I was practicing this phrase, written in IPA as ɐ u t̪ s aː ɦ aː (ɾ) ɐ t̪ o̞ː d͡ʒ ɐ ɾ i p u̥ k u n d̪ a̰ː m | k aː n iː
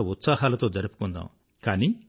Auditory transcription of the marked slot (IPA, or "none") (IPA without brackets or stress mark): l